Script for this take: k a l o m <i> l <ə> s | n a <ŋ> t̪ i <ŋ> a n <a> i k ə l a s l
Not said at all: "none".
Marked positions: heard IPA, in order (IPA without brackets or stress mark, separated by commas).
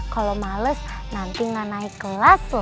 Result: a, ə, n, ŋ, a